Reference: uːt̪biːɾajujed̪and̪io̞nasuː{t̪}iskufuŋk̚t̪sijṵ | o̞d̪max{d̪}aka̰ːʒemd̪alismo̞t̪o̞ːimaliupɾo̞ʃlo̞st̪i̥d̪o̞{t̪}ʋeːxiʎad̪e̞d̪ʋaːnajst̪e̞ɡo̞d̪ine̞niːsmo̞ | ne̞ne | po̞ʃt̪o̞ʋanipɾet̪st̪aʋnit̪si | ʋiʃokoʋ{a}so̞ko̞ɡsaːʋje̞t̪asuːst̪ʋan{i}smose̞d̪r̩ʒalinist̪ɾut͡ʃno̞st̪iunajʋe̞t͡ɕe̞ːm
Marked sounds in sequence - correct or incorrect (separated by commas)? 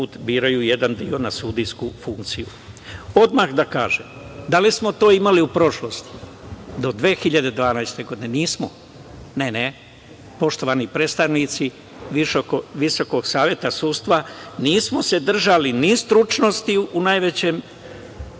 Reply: incorrect, correct, incorrect, incorrect, incorrect